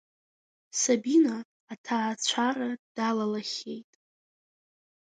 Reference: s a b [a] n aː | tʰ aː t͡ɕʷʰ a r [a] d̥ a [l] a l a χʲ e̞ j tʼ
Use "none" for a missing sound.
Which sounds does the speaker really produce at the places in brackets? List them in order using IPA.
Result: i, a, l

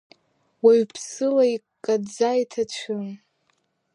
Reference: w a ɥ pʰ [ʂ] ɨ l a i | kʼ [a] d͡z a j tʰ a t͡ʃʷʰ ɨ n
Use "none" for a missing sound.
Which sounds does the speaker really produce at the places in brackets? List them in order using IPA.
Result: s, a

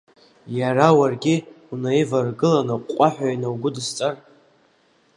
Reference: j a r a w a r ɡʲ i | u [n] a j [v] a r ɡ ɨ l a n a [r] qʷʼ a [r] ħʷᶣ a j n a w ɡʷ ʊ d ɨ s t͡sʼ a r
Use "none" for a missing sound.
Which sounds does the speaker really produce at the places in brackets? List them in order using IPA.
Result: n, v, none, none

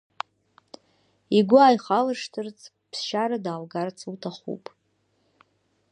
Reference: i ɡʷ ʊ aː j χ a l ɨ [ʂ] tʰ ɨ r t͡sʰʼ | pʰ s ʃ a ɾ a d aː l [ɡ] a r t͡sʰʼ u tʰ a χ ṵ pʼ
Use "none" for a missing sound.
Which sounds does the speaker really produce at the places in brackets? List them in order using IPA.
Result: ʂ, ɡ

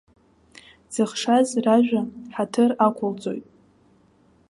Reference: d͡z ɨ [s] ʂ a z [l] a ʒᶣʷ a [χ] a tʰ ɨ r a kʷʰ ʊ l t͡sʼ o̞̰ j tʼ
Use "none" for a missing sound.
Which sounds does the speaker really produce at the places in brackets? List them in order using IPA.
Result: χ, r, ħ

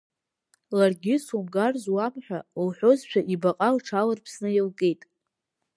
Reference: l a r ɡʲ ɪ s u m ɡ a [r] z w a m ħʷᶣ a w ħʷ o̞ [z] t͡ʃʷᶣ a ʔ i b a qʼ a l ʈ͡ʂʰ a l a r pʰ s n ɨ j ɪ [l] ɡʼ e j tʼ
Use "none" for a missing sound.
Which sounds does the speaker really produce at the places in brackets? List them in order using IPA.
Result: r, z, l

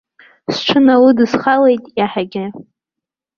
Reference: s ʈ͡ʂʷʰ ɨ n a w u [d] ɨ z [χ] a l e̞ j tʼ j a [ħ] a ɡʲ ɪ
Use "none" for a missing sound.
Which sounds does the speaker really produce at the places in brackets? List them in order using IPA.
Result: d, χ, ħ

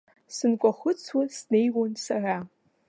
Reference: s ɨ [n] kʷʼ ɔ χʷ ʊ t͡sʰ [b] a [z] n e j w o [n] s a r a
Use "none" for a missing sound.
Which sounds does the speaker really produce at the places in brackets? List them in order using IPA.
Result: n, w, s, n

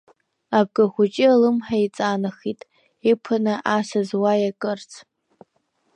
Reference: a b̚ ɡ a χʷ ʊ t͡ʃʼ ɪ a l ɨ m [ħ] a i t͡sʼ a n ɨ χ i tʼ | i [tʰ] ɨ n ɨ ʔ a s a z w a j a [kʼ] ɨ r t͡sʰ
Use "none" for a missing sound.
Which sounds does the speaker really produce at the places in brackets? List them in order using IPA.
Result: ħ, pʰ, kʼ

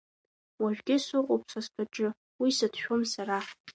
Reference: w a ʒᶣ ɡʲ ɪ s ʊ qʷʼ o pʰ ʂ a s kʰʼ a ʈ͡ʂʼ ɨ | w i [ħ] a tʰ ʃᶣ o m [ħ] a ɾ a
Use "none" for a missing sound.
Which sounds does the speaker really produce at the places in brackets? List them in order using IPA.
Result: s, s

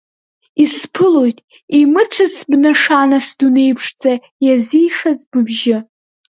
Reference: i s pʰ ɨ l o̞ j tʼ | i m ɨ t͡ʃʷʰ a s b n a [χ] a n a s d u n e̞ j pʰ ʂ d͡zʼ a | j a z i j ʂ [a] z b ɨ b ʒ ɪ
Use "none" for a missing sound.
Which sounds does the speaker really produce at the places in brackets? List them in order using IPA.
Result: ʂ, a

